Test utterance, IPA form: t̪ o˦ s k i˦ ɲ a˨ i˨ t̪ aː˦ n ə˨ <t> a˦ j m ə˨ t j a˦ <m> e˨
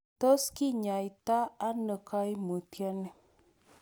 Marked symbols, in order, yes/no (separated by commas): no, no